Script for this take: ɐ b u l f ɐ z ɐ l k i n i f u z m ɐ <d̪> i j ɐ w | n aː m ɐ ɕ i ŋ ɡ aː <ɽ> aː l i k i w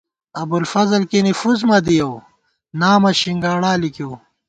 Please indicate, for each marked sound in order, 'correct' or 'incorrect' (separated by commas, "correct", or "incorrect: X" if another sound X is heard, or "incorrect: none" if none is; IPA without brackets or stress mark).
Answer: correct, correct